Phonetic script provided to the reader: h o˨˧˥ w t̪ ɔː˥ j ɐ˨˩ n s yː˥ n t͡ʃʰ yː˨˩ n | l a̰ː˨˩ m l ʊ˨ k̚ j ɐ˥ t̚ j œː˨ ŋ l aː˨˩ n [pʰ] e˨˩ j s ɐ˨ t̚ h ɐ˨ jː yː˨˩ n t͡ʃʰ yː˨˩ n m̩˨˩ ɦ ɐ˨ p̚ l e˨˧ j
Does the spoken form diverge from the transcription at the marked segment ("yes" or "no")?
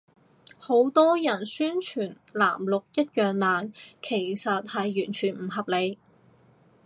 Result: yes